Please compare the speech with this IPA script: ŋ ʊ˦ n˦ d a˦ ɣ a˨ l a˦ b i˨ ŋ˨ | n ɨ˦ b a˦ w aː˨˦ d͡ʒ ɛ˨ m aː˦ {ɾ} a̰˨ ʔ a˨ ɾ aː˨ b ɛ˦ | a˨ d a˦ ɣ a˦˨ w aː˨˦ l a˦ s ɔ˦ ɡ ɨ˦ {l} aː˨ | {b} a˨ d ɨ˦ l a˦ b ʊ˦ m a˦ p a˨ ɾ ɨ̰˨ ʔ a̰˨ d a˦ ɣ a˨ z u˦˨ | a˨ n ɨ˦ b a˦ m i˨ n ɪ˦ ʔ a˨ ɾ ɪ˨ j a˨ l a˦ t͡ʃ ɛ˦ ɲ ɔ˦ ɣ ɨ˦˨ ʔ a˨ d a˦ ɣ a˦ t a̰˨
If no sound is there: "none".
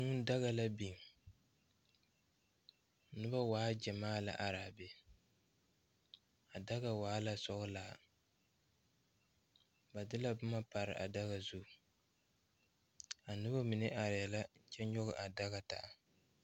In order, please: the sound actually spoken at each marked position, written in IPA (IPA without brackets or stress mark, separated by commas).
l, l, b